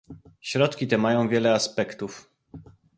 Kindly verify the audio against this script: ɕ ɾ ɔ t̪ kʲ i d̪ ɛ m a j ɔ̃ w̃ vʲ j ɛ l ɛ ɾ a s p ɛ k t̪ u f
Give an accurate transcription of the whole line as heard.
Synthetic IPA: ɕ ɾ ɔ t̪ kʲ i t̪ ɛ m a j ɔ̃ w̃ vʲ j ɛ l ɛ a s p ɛ k t̪ u f